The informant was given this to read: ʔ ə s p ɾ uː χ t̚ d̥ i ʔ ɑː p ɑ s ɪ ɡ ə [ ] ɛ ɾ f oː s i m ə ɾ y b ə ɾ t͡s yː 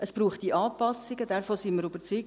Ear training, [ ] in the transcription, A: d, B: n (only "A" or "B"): A